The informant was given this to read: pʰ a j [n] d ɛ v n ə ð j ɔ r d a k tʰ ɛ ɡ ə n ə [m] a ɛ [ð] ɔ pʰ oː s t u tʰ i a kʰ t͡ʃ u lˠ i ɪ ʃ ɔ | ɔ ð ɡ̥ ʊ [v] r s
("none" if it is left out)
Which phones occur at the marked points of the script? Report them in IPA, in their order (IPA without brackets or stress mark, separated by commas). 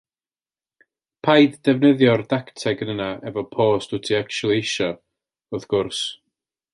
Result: d, n, v, none